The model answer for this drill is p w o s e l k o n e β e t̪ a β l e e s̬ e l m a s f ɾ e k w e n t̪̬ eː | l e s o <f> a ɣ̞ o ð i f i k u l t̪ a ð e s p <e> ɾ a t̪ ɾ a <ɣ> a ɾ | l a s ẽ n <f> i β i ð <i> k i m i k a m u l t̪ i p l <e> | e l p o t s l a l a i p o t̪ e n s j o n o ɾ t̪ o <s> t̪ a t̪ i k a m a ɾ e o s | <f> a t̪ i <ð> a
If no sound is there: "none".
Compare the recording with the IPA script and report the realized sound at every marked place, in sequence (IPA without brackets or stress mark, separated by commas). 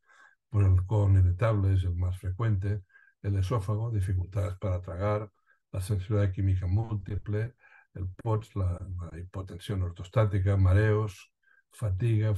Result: f, a, ɣ, s, a, e, s, f, ɣ